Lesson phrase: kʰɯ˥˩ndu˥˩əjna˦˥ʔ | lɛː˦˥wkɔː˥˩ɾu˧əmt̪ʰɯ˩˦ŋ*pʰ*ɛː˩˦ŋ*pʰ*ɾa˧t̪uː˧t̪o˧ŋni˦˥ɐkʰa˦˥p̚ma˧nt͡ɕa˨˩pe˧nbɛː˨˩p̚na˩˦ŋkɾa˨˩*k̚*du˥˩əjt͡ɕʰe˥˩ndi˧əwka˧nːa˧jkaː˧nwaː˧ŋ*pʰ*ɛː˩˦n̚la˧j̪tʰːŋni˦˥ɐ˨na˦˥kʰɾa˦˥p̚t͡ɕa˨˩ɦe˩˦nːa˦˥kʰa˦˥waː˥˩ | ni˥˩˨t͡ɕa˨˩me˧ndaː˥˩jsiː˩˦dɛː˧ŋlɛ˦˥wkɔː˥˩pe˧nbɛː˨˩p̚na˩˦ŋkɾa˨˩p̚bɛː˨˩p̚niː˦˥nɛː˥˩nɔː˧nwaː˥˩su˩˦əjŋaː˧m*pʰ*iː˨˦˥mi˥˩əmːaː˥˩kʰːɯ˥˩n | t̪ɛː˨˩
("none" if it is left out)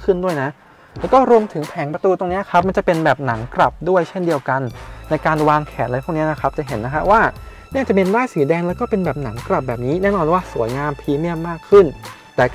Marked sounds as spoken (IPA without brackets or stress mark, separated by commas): pʰ, p, p̚, kʰ, pʰ